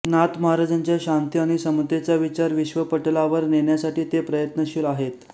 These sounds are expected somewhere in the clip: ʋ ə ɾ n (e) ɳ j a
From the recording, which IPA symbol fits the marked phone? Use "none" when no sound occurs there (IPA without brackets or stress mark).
e